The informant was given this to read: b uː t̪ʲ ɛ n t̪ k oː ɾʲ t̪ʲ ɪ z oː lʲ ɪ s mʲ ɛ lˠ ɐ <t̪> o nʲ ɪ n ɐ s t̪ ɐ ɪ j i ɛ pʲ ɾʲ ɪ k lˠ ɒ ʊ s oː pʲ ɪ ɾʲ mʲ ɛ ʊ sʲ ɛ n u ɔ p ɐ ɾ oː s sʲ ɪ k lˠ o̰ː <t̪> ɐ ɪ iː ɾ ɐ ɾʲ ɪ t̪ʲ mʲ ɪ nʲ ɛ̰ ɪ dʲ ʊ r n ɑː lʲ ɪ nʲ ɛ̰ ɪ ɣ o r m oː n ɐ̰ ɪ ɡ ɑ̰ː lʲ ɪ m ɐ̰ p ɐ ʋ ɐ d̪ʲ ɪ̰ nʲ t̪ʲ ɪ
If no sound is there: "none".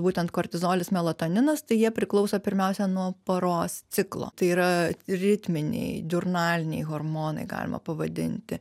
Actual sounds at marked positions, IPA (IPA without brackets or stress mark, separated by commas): t̪, t̪